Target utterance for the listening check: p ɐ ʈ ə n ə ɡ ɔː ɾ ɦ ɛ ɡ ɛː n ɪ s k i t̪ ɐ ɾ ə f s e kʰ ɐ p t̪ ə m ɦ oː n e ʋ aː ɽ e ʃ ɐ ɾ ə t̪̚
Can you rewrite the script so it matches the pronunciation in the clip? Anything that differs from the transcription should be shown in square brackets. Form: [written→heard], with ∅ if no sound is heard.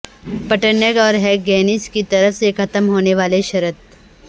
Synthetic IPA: p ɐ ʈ ə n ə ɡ ɔː ɾ ɦ ɛ ɡ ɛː n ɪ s k i t̪ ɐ ɾ ə f s e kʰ ɐ [p→∅] t̪ ə m ɦ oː n e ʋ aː [ɽ→l] e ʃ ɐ ɾ ə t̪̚